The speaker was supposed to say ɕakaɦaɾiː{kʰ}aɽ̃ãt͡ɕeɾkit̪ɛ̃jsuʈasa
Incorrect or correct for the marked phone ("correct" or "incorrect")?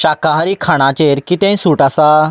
correct